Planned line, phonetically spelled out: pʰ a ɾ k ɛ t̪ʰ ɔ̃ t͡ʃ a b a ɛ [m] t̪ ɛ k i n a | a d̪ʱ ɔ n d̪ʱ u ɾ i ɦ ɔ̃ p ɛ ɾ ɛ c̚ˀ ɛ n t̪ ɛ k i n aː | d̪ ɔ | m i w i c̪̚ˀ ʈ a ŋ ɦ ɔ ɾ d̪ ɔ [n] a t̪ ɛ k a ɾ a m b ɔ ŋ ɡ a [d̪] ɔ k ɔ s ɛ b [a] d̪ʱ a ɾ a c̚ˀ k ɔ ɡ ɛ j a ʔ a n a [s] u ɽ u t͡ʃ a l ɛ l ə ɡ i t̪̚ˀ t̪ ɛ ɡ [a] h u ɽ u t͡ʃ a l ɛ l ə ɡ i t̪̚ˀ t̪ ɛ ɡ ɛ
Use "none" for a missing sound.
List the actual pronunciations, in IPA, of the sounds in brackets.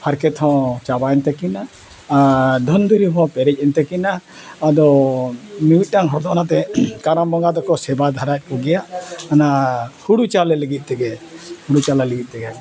n, n, d̪, a, h, ɛ

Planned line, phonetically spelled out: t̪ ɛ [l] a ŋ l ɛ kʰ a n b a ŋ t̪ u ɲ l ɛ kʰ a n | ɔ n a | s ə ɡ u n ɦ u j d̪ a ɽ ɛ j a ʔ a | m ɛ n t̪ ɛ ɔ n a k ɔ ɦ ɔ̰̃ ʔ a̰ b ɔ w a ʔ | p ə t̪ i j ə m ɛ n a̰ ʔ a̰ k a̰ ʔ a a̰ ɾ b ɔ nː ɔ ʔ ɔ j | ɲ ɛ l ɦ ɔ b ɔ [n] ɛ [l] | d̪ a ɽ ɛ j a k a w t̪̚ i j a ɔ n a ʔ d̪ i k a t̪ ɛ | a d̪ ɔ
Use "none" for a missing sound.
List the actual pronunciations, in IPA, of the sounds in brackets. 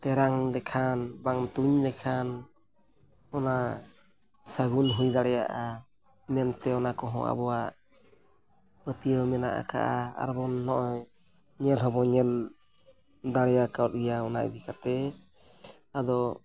ɾ, ɲ, l

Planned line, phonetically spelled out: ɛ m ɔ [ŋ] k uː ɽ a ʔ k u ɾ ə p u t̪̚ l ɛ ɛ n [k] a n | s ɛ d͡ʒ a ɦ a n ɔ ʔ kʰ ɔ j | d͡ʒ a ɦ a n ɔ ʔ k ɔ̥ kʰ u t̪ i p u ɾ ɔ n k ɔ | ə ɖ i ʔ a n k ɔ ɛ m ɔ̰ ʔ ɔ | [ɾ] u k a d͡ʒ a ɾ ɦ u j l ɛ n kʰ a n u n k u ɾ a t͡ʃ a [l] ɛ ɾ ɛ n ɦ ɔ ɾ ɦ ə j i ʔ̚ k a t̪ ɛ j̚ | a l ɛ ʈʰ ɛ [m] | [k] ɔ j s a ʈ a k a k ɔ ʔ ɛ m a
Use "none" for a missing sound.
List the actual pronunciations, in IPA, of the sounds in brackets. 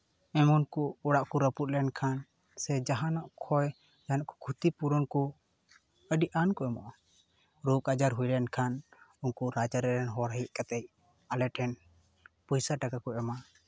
n, kʰ, ɾ, ɾ, n, p

